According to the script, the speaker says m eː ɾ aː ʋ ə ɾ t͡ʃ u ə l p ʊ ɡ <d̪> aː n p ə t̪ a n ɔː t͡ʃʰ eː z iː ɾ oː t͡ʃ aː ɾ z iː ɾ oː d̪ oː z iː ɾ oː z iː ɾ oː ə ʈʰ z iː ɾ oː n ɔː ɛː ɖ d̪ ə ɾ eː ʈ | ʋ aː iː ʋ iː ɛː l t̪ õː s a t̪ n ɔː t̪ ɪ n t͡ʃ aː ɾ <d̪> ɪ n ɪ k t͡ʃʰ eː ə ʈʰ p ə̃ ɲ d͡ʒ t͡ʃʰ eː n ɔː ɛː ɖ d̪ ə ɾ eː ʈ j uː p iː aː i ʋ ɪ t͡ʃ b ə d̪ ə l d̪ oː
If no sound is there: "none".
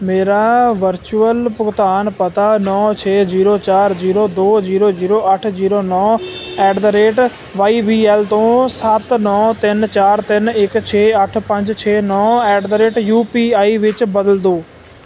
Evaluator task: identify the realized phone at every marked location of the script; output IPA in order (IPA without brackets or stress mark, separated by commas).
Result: t̪, t̪